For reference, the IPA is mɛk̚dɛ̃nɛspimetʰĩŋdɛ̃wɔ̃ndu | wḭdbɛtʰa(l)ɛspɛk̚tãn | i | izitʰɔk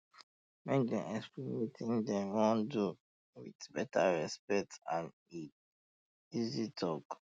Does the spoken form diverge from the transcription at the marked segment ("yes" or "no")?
yes